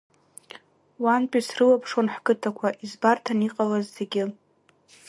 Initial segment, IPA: w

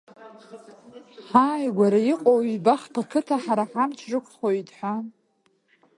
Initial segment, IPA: ħ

